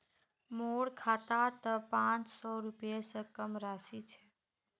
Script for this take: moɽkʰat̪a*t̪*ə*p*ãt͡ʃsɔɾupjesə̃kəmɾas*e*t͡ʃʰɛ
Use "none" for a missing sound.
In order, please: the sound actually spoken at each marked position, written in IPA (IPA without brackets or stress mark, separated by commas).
t̪, p, i